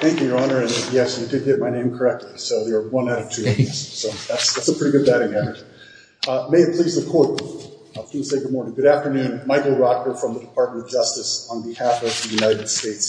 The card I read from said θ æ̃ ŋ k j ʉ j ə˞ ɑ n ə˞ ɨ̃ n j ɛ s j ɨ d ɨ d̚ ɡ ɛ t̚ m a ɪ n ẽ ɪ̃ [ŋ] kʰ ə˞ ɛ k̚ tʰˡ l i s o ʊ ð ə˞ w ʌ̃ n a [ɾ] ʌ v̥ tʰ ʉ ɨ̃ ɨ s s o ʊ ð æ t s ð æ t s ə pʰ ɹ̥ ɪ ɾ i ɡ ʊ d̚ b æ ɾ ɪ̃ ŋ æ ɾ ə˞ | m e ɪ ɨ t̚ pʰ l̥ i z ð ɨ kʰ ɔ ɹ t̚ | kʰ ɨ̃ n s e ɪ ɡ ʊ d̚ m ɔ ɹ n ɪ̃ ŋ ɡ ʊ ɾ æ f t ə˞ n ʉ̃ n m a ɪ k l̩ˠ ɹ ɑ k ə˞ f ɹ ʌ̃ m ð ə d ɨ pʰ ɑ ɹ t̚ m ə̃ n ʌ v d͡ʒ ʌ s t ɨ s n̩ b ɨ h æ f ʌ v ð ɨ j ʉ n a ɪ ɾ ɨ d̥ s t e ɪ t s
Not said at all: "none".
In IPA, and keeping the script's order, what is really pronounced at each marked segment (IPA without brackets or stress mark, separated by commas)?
m, ɾ